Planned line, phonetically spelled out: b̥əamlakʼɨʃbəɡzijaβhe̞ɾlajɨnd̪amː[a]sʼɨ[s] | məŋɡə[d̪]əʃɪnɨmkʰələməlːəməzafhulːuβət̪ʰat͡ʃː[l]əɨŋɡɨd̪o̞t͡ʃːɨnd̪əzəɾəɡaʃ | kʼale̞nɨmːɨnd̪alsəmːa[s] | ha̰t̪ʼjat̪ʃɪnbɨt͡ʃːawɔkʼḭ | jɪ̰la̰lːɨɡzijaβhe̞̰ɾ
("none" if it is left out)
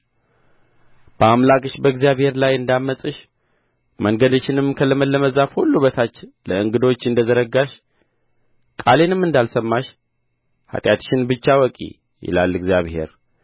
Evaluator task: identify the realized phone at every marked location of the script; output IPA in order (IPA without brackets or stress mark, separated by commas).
ə, ʃ, d̪, l, ʃ